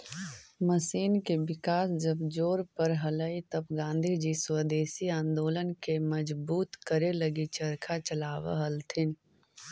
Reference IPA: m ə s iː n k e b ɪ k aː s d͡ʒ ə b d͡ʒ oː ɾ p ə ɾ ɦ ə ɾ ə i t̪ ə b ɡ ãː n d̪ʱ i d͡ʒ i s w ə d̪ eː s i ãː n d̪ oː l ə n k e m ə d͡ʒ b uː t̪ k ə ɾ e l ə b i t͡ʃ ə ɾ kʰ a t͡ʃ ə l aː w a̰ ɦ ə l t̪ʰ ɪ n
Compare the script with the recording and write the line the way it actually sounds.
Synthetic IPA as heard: m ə s iː n k e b ɪ k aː s d͡ʒ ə b d͡ʒ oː ɾ p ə ɾ ɦ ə l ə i t̪ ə b ɡ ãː n d̪ʱ i d͡ʒ i s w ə d̪ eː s i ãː n d̪ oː l ə n k e m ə d͡ʒ b uː t̪ k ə ɾ e l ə ɡ i t͡ʃ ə ɾ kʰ a t͡ʃ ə l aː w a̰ ɦ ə l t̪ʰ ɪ n